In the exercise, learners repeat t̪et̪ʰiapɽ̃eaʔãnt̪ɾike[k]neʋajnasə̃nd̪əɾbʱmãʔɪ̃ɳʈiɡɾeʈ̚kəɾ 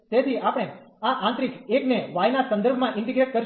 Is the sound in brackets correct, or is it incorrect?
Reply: correct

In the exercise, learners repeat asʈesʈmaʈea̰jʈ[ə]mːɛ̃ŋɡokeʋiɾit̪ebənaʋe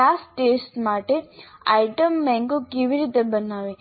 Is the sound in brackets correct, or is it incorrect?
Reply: correct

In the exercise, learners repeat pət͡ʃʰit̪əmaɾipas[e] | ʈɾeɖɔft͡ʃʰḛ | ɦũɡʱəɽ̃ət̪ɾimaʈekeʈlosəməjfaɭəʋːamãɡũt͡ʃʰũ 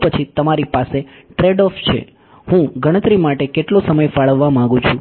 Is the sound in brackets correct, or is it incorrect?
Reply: correct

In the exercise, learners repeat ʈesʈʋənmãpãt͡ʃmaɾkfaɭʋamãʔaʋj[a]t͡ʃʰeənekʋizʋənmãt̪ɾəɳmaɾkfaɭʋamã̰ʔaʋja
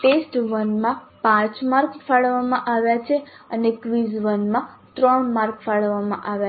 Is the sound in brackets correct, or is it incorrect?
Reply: correct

